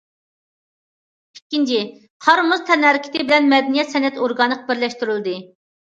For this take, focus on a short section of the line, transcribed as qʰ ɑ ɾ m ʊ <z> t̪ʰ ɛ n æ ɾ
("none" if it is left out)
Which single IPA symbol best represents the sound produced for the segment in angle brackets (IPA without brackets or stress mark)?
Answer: z